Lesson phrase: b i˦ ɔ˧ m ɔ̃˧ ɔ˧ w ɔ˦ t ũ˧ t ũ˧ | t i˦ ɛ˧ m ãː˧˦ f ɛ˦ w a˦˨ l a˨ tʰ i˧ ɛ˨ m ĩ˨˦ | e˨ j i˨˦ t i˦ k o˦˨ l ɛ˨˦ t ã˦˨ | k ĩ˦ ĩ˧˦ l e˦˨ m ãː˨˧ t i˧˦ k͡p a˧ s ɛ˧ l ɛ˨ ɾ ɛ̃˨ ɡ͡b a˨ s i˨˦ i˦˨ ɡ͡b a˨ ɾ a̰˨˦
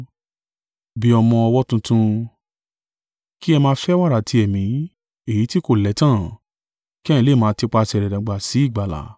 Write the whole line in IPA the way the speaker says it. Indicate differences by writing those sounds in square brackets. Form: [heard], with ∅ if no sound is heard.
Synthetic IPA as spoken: b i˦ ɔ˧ m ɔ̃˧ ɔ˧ w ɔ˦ t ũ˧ t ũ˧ | [k] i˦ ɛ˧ m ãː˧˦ f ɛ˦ w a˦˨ [ɾ] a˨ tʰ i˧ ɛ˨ m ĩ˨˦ | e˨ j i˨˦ t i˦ k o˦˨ l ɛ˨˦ t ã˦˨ | k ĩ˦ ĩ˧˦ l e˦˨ m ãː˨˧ t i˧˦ k͡p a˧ s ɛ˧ [ɾ] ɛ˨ ɾ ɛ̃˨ ɡ͡b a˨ s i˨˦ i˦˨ ɡ͡b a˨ [l] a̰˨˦

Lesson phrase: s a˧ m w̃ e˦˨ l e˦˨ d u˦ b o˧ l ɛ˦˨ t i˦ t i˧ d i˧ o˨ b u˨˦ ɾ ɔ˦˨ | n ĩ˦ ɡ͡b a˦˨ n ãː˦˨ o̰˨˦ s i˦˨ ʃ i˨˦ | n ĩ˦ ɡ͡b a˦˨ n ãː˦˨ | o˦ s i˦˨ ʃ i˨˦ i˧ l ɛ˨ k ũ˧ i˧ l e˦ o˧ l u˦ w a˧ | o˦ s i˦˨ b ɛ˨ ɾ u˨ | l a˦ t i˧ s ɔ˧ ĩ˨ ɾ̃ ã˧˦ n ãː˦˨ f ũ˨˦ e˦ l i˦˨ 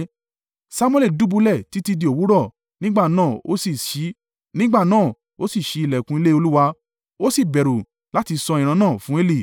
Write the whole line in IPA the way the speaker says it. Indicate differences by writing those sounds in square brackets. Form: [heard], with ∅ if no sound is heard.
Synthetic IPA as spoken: s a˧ m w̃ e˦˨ l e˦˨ d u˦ b [u˧] l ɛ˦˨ t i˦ t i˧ d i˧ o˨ [w] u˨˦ ɾ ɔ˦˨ | n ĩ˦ ɡ͡b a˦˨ n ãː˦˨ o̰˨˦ s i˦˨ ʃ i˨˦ | n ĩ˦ ɡ͡b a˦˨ n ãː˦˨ | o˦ s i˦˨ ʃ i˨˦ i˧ l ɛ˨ k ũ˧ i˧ l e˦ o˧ l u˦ w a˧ | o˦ s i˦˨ b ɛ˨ ɾ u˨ | l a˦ t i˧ s ɔ˧ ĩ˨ ɾ̃ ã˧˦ n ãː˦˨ f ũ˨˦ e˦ l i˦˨

